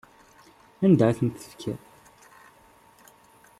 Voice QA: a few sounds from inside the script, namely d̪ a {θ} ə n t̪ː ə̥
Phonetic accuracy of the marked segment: correct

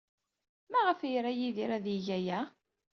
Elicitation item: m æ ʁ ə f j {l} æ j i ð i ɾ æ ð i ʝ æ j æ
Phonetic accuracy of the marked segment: incorrect: ɾ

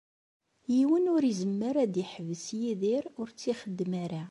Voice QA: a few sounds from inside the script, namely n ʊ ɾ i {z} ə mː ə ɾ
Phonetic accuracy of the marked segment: correct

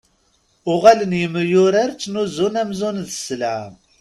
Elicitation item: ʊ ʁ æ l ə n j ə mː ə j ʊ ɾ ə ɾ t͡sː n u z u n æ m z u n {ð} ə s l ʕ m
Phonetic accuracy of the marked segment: correct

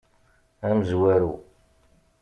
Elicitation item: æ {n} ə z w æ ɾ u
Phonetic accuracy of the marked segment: incorrect: m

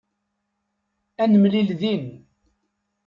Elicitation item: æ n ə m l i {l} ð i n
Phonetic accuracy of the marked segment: correct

